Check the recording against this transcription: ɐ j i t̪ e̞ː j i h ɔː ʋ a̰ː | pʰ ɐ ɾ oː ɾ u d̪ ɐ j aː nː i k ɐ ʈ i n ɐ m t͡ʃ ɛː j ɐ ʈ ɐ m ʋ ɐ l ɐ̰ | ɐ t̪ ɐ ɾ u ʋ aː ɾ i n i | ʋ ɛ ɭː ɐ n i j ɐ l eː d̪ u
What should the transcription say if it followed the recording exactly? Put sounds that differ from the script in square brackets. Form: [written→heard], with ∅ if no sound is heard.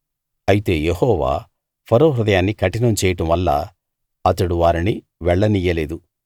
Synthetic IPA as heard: ɐ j i t̪ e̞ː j [i→e] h ɔː ʋ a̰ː | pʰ ɐ ɾ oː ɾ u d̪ ɐ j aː nː i k ɐ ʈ i n ɐ m t͡ʃ ɛː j ɐ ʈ ɐ m ʋ ɐ [l→lː] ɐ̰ | ɐ t̪ ɐ [ɾ→ɽ] u ʋ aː ɾ i n i | ʋ ɛ ɭː ɐ n i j ɐ l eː d̪ u

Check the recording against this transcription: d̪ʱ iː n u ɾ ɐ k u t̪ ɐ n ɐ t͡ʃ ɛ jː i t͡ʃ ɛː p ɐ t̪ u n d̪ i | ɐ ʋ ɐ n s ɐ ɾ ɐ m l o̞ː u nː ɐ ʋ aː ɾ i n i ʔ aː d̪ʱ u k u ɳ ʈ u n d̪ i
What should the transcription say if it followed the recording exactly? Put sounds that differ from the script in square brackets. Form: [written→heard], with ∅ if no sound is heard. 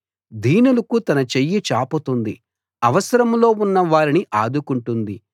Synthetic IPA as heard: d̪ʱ iː n u [ɾ→l] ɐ k u t̪ ɐ n ɐ t͡ʃ [ɛ→e] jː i t͡ʃ [ɛː→aː] p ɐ t̪ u n d̪ i | ɐ ʋ ɐ [n→∅] s ɐ ɾ ɐ m l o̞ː u nː ɐ ʋ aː ɾ i n i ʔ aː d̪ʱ u k u ɳ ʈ u n d̪ i

